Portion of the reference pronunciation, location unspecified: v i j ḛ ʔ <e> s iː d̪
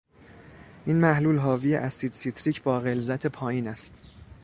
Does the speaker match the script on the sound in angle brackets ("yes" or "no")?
no